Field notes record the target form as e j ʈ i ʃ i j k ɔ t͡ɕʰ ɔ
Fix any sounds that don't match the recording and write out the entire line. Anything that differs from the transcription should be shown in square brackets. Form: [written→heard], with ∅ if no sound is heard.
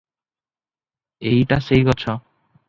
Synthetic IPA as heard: e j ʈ [i→a] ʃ [i→e] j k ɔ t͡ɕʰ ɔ